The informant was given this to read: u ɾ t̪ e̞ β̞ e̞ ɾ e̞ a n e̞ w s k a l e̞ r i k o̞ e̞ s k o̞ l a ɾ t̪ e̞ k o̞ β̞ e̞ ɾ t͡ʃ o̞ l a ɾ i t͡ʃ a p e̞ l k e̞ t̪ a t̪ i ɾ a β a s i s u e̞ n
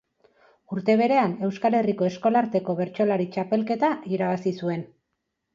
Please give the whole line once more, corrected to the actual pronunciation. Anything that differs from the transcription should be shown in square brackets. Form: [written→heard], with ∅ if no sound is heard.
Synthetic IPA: u ɾ t̪ e̞ β̞ e̞ ɾ e̞ a n e̞ w s k a l e̞ r i k o̞ e̞ s k o̞ l a ɾ t̪ e̞ k o̞ β̞ e̞ ɾ t͡ʃ o̞ l a ɾ i t͡ʃ a p e̞ l k e̞ t̪ a [t̪→∅] i ɾ a β a s i s u e̞ n